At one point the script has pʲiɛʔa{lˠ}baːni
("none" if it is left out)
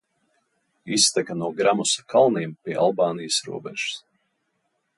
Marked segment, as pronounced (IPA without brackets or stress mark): lˠ